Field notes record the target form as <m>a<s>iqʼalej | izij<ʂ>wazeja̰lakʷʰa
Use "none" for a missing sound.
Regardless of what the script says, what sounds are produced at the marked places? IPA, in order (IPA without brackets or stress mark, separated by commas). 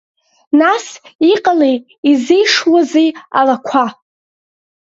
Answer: n, s, ʂ